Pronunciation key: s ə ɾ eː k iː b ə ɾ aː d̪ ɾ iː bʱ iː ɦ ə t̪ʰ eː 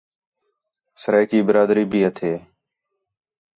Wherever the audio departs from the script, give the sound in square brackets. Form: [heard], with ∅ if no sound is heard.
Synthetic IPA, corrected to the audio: s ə ɾ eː k iː b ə ɾ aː d̪ ɾ iː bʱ iː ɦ ə t̪ʰ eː